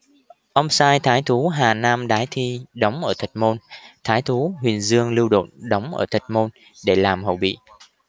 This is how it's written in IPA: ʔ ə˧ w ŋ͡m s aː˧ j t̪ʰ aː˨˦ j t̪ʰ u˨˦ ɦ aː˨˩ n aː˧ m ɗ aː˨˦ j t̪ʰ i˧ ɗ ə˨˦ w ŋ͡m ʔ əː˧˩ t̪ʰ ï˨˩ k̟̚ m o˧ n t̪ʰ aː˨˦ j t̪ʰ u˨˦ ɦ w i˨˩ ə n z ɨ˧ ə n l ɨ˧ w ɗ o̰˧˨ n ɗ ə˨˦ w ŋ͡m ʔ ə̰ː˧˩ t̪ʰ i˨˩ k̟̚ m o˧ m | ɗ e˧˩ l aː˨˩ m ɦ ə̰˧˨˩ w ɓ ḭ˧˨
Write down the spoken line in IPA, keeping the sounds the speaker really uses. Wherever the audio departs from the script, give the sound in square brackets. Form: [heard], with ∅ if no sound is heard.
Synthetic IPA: ʔ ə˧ w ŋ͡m s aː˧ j t̪ʰ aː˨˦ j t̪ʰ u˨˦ ɦ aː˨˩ n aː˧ m ɗ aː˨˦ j t̪ʰ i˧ ɗ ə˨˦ w ŋ͡m ʔ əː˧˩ t̪ʰ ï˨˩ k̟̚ m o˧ n t̪ʰ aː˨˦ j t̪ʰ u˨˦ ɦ w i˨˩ ə n z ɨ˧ ə [ŋ] l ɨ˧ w ɗ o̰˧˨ n ɗ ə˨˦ w ŋ͡m ʔ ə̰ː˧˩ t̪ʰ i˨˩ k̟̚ m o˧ [n] | ɗ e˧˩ l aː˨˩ m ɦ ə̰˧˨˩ w ɓ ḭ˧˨